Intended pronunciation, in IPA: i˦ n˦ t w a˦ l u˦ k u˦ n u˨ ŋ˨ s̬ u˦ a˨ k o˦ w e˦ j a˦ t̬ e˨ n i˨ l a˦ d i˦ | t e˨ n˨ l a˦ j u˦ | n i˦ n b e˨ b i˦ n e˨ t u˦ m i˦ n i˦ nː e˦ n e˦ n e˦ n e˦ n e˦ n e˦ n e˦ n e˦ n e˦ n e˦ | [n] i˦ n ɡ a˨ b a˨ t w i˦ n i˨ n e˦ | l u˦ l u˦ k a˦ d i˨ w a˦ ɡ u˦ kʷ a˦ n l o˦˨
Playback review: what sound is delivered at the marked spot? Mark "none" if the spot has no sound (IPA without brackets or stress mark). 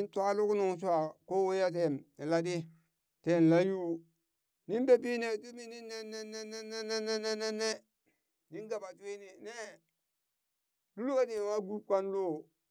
n